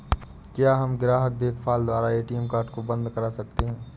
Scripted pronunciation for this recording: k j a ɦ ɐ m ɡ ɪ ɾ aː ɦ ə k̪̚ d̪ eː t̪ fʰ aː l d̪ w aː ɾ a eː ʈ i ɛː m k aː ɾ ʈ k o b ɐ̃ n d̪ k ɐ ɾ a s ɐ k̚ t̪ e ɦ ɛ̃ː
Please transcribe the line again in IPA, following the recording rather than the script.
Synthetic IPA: k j a ɦ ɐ m ɡ ɪ ɾ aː ɦ ə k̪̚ d̪ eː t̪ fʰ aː l d̪ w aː ɾ a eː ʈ i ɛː m k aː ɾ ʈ k o b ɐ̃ n d̪ k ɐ ɾ a s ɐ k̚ t̪ e ɦ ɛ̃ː